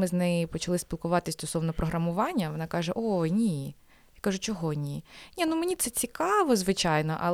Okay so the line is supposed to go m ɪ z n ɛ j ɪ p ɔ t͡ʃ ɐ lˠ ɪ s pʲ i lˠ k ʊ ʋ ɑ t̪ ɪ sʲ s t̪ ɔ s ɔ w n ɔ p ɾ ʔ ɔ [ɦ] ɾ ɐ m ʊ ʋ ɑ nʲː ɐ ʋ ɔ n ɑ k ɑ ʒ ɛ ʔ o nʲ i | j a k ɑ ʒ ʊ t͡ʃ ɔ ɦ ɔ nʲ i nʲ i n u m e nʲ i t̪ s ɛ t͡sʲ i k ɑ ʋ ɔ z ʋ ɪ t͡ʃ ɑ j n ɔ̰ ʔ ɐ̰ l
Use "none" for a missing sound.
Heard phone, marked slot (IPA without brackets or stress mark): ɦ